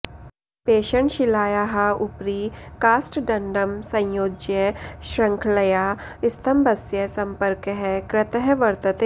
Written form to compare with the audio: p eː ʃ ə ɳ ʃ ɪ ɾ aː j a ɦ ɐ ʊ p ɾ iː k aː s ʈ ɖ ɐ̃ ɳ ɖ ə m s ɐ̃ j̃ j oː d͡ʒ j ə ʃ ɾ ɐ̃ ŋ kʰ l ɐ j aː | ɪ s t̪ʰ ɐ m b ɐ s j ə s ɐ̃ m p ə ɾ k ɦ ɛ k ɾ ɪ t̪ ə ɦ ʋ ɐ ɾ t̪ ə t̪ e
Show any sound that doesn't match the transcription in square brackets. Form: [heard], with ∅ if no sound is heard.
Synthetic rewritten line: p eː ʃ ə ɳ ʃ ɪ [l] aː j a ɦ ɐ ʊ p ɾ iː k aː s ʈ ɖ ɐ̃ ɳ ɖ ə m s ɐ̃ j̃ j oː d͡ʒ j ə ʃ ɾ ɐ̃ ŋ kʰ l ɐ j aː | ɪ s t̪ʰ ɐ m b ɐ s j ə s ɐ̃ m p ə ɾ k ɦ ɛ k ɾ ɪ t̪ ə ɦ ʋ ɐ ɾ t̪ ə t̪ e